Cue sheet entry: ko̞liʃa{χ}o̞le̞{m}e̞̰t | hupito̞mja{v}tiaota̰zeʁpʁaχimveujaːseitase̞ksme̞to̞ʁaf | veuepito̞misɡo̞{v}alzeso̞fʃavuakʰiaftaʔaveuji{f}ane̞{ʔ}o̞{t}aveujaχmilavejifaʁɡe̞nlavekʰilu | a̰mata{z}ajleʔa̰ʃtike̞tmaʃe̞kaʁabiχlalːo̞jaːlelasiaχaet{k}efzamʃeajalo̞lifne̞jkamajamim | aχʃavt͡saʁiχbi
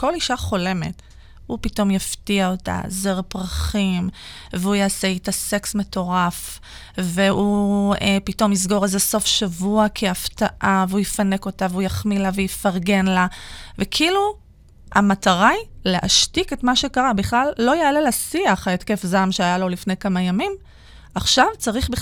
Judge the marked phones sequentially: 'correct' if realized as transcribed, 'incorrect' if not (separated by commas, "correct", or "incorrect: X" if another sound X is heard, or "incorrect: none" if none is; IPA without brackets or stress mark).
correct, correct, incorrect: f, incorrect: ʁ, correct, incorrect: k, correct, incorrect: ʁ, correct